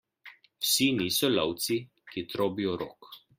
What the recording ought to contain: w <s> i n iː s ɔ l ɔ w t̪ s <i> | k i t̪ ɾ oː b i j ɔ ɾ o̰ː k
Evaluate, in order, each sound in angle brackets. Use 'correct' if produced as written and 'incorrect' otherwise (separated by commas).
correct, correct